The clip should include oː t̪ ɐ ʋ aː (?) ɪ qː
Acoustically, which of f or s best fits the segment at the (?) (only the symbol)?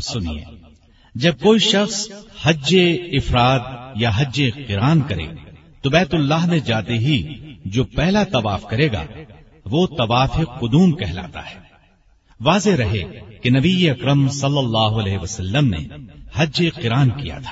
f